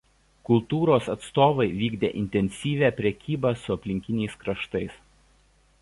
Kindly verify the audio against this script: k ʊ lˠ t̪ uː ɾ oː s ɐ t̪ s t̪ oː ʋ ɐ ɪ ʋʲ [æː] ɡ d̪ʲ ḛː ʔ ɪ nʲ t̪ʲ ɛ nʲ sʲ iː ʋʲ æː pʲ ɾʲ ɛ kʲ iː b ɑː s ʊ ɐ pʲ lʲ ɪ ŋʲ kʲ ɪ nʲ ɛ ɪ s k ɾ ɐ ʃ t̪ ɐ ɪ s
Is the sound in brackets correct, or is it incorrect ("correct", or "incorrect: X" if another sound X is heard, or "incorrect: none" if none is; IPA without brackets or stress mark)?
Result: incorrect: iː